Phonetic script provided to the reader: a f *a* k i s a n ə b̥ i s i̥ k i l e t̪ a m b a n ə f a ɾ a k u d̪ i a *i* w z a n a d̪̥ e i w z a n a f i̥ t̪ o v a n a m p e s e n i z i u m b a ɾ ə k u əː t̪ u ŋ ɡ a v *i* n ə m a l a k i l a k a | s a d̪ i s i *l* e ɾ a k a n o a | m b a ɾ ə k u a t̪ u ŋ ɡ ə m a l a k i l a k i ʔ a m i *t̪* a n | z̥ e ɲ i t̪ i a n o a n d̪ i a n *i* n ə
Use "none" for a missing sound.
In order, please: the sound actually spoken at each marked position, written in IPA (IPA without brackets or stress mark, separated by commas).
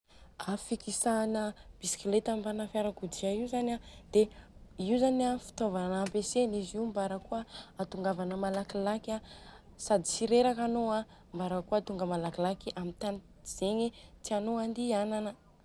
i, i, a, ɾ, t̪, a